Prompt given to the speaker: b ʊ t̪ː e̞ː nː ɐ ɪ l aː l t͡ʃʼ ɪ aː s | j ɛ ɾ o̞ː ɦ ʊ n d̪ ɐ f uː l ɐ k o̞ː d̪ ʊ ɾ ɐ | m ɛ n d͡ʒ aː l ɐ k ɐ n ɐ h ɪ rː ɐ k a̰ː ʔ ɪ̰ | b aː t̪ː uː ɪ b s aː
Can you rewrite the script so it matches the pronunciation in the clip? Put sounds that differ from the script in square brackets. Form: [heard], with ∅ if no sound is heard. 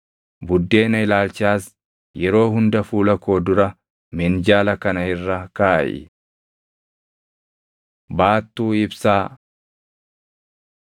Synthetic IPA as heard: b ʊ [d̪ː] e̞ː [n] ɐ ɪ l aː l [t͡ʃ] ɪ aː s | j ɛ ɾ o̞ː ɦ ʊ n d̪ ɐ f uː l ɐ k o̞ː d̪ ʊ ɾ ɐ | m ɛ n d͡ʒ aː l ɐ k ɐ n ɐ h ɪ rː ɐ k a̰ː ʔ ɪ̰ | b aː t̪ː uː ɪ b s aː